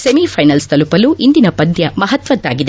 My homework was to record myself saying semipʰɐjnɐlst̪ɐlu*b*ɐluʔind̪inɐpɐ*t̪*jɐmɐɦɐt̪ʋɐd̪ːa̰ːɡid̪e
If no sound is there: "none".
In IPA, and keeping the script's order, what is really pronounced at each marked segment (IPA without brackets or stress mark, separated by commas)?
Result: p, d̪